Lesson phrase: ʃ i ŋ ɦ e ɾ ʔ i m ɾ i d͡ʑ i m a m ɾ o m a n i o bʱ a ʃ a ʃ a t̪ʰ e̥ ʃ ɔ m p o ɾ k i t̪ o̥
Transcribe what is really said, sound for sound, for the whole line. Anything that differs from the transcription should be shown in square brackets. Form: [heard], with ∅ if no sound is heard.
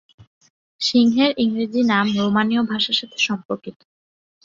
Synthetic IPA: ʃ i ŋ ɦ e ɾ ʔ i [ŋ] ɾ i d͡ʑ i [n] a m ɾ o m a n i o bʱ a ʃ a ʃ a t̪ʰ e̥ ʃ ɔ m p o ɾ k i t̪ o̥

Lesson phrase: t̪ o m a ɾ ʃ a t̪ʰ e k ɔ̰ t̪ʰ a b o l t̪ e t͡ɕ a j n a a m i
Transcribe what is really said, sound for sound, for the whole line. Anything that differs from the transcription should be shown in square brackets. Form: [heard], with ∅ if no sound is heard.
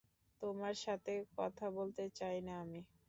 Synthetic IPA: t̪ o m a ɾ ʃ a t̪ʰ e k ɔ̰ t̪ʰ a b o l t̪ e t͡ɕ a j n a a m i

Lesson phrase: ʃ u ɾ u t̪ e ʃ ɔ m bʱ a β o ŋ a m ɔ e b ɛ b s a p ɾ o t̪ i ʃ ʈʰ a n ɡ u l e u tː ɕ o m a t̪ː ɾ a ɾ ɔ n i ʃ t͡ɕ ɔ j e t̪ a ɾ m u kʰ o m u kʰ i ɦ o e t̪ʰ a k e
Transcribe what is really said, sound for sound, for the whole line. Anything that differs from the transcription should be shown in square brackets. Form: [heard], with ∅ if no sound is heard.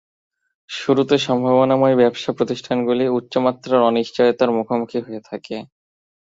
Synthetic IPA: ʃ u ɾ u t̪ e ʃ ɔ m bʱ a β o [n] a m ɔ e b ɛ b [ʃ] a p ɾ o t̪ i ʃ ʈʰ a n ɡ u l [i] u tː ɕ o m a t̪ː ɾ a ɾ ɔ n i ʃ t͡ɕ ɔ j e t̪ a ɾ m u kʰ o m u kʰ i ɦ o e t̪ʰ a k e

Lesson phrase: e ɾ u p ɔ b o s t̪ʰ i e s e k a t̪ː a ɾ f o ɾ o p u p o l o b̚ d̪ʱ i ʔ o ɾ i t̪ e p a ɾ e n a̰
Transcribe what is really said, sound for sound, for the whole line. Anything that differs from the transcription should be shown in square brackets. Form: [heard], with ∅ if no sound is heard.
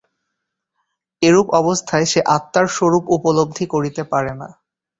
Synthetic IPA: e ɾ u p ɔ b o s t̪ʰ [a] e [ʃ] e [ʔ] a t̪ː a ɾ [ʃ] o ɾ [u] p u p o l o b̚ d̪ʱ i [k] o ɾ i t̪ e p a ɾ e n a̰

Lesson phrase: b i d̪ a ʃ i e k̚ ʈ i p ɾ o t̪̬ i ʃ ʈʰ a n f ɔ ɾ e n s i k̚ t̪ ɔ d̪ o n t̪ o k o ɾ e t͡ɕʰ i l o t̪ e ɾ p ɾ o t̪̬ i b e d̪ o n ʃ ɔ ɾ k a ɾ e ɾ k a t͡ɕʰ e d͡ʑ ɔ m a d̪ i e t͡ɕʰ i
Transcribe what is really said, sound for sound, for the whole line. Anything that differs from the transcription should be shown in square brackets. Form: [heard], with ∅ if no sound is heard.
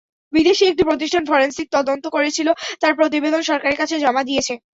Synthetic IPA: b i d̪ [e] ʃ i e k̚ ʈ i p ɾ o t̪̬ i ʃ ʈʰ a n f ɔ ɾ e n s i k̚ t̪ ɔ d̪ o n t̪ o k o ɾ e t͡ɕʰ i l o t̪ [a] ɾ p ɾ o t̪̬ i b e d̪ o n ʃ ɔ ɾ k a ɾ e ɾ k a t͡ɕʰ e d͡ʑ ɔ m a d̪ i e t͡ɕʰ [e]

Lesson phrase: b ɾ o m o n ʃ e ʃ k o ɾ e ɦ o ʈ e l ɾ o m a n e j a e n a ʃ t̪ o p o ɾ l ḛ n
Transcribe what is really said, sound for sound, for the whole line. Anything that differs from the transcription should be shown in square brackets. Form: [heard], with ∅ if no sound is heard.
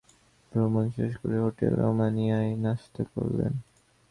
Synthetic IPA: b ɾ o m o n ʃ e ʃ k o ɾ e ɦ o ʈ e l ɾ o m a n [i] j a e n a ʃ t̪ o [k] o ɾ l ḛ n

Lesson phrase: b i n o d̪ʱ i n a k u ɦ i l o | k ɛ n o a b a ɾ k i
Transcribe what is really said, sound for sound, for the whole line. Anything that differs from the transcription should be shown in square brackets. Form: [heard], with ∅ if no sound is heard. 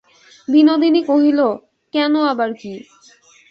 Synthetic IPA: b i n o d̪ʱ i n [i] k [o] ɦ i l o | k ɛ n o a b a ɾ k i

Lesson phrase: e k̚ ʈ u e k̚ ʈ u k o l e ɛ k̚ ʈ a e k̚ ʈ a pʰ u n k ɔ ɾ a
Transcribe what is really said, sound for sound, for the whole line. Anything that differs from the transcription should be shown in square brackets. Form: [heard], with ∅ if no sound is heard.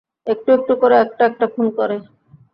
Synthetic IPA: e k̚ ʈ u e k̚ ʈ u k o [ɾ] e ɛ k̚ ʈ a [ɛ] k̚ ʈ a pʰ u n k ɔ ɾ [e]

